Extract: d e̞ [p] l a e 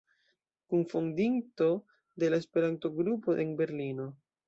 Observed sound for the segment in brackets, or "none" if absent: none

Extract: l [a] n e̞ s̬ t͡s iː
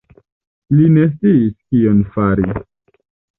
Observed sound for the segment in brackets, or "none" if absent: i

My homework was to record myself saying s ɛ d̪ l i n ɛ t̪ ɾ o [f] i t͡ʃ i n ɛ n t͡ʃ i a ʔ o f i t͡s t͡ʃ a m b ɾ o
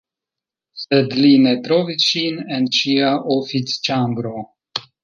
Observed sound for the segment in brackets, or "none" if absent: v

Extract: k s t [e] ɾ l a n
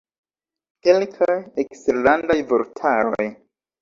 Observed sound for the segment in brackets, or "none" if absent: e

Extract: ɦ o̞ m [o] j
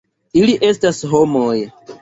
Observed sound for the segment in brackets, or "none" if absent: o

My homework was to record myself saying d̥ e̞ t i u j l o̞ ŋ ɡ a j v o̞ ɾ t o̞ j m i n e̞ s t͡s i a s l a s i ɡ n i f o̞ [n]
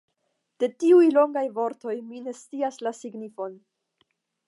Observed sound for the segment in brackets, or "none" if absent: n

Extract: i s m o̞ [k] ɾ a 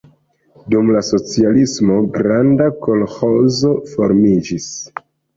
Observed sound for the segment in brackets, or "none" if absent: ɡ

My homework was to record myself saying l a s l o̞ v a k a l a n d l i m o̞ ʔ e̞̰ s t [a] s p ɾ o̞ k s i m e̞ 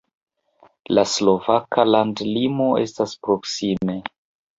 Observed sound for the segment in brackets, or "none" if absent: a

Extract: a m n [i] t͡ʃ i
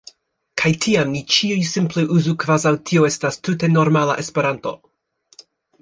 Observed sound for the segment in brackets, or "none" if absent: i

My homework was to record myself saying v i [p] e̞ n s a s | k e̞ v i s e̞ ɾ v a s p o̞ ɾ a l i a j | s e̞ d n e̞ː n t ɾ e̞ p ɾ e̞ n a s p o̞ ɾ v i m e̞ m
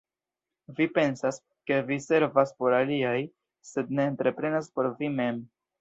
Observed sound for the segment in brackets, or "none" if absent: p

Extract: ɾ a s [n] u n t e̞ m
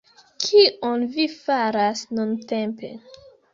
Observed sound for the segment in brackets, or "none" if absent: n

